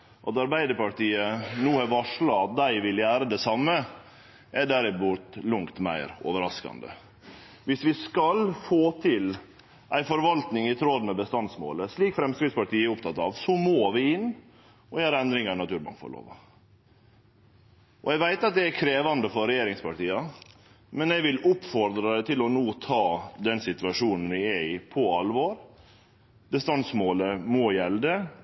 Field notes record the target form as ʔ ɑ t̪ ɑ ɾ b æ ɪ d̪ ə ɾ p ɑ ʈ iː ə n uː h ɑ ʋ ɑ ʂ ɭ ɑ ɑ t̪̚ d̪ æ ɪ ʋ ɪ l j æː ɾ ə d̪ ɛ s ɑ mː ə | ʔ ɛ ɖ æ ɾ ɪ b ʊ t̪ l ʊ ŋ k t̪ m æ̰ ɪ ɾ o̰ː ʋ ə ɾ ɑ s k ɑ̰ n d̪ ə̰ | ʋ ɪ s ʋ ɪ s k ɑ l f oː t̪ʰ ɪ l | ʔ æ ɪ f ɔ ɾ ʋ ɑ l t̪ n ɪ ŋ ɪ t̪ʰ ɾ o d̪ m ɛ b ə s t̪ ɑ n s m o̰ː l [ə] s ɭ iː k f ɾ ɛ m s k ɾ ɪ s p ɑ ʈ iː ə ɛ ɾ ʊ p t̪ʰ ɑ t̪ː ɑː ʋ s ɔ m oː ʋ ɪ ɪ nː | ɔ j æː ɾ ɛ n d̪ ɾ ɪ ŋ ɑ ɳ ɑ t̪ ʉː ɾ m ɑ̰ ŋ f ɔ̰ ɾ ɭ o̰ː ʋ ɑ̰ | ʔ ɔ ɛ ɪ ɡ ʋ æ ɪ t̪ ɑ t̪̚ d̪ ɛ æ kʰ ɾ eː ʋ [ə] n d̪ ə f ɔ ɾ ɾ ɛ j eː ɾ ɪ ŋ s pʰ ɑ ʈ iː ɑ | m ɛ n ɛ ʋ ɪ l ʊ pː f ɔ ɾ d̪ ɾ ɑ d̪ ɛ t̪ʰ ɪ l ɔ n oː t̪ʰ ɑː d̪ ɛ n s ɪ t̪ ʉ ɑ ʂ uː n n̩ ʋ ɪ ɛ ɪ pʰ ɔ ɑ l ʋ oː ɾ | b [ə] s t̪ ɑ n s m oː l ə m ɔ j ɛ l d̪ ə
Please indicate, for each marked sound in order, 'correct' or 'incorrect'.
correct, incorrect: ɑ, correct

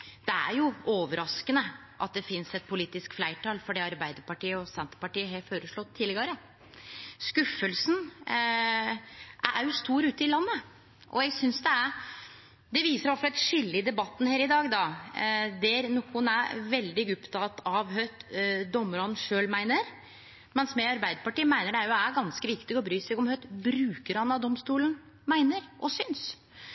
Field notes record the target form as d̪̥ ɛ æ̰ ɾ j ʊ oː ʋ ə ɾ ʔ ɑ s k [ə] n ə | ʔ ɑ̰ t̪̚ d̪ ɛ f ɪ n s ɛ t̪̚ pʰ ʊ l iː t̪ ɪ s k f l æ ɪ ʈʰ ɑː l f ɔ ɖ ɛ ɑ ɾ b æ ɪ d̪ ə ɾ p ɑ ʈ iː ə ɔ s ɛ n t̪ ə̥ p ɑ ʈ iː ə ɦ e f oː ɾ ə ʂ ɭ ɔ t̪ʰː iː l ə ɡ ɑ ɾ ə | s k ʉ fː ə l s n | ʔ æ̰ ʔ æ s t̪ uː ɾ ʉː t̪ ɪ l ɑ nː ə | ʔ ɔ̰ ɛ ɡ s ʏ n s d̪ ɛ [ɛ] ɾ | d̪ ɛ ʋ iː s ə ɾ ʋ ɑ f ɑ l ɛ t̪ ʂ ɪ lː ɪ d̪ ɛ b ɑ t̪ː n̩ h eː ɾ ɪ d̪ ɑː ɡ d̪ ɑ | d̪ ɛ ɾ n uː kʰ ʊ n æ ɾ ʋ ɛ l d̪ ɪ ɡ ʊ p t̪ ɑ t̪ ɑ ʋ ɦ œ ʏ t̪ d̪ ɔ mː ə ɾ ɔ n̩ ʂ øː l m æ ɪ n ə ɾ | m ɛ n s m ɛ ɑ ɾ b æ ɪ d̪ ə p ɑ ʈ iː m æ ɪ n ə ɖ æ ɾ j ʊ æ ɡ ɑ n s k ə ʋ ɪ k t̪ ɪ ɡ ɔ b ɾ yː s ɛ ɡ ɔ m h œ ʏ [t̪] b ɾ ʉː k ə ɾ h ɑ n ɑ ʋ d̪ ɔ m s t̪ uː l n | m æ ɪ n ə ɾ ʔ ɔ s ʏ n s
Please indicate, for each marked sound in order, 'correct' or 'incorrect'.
correct, incorrect: æ, correct

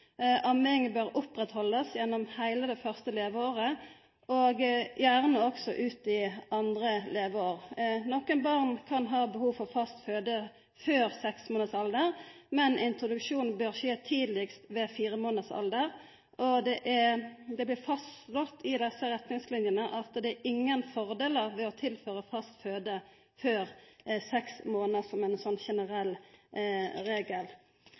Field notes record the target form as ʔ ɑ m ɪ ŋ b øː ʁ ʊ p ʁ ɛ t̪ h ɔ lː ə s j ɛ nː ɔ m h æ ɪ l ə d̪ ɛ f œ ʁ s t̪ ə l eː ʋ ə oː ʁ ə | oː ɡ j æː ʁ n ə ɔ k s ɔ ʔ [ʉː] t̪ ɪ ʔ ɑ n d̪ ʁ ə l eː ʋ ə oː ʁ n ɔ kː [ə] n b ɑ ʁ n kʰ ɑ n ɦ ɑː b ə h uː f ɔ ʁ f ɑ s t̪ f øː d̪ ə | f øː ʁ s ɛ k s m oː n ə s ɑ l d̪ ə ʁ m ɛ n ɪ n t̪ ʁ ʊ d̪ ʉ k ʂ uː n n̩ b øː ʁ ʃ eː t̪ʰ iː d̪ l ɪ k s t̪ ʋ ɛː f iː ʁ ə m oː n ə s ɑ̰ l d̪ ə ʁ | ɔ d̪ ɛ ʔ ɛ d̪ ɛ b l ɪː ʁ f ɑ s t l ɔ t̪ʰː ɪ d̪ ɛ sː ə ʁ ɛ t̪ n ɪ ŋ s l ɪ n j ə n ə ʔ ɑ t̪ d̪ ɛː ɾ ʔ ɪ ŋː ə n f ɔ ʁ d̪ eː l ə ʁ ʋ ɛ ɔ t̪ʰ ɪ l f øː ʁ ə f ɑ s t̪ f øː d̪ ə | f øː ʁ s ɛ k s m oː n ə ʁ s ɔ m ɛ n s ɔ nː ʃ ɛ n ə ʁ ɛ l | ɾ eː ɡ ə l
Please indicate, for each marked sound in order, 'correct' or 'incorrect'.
correct, correct

